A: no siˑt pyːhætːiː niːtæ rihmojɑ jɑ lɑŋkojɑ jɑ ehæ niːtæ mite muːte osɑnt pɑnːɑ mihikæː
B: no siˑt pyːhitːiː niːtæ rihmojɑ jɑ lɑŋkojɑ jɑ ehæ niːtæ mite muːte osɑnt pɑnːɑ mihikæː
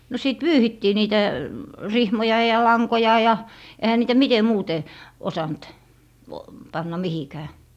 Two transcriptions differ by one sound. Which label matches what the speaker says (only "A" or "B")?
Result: B